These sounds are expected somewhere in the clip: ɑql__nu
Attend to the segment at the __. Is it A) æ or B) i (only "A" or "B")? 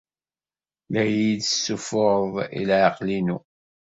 B